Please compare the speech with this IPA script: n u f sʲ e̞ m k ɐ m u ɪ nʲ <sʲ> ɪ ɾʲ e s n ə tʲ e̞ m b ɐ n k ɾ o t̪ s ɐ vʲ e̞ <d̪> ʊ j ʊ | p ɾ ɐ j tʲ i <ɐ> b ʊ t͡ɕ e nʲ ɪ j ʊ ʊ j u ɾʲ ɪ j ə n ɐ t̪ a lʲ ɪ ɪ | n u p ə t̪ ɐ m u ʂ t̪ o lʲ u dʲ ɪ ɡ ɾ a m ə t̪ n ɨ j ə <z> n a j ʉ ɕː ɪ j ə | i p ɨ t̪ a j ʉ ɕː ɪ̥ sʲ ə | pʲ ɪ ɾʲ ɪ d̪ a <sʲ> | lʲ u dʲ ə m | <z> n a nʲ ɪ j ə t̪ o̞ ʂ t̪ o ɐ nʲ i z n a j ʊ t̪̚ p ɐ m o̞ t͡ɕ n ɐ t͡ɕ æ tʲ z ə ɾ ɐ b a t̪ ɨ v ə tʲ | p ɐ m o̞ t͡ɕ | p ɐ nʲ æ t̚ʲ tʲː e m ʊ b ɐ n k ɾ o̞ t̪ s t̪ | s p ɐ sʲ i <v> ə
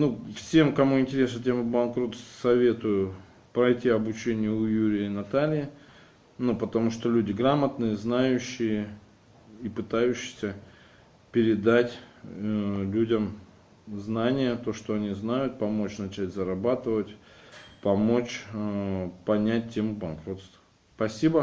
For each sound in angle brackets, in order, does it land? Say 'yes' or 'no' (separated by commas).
no, no, yes, yes, no, yes, no